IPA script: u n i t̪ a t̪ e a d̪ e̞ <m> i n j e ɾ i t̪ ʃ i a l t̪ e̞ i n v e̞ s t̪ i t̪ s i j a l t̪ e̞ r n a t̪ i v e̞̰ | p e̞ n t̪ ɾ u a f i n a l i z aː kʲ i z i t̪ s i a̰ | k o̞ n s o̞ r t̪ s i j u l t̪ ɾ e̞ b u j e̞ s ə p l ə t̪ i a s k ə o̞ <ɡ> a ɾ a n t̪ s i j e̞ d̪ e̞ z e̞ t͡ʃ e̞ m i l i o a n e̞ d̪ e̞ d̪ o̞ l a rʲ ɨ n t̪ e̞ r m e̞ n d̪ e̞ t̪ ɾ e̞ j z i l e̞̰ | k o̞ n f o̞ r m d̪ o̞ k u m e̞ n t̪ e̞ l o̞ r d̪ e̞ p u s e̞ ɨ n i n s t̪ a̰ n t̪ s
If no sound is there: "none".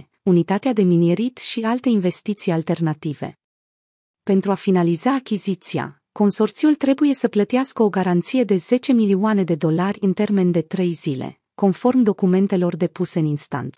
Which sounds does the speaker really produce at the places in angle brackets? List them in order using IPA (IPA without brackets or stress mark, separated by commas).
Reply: m, ɡ